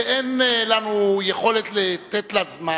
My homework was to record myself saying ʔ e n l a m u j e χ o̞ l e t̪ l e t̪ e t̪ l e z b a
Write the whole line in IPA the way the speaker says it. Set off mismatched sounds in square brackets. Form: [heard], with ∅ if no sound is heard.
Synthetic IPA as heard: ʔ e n l a [n] u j e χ o̞ l e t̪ l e t̪ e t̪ l [a] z [m] a